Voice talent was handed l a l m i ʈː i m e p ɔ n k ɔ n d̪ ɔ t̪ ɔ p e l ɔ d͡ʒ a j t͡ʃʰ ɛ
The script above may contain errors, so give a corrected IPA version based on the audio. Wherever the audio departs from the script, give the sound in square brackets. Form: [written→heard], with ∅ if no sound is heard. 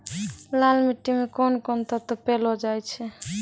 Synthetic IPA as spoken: l a l m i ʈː i m e [p→k] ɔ n k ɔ n [d̪→t̪] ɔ t̪ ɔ p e l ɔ d͡ʒ a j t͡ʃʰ ɛ